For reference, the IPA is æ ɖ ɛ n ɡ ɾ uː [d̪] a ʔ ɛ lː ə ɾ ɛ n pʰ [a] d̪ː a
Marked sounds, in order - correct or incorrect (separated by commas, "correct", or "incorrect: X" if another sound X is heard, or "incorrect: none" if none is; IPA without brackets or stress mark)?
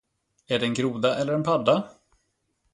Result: correct, correct